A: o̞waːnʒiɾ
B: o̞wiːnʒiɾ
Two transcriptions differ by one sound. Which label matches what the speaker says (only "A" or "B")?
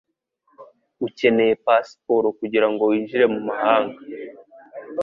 B